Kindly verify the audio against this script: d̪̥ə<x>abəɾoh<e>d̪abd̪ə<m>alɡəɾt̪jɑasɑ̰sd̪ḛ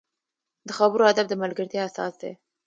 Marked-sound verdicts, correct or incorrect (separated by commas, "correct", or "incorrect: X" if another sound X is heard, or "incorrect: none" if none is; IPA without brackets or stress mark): correct, incorrect: a, correct